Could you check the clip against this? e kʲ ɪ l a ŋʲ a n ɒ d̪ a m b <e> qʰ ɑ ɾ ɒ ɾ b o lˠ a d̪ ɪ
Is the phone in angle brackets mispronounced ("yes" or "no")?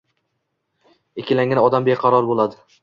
no